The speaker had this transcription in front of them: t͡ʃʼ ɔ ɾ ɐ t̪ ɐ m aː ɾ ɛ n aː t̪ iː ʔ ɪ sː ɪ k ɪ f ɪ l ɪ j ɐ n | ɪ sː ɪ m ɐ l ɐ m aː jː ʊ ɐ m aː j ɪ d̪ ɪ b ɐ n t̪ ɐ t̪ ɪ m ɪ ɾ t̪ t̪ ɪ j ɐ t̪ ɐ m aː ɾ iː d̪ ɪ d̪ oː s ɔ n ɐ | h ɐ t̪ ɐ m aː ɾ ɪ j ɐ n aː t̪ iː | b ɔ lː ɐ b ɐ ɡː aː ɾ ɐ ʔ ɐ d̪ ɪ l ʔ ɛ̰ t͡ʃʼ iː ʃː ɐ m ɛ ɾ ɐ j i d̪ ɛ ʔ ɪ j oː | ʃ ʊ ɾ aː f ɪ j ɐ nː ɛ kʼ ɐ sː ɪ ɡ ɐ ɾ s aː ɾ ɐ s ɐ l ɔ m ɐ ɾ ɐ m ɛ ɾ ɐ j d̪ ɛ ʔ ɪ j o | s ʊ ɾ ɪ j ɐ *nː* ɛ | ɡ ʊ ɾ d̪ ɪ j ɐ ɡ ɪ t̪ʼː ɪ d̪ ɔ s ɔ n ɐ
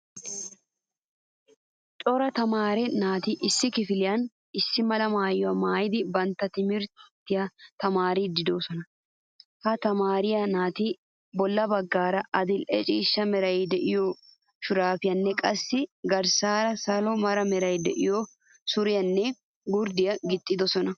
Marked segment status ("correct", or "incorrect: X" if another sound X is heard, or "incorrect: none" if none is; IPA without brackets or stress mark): correct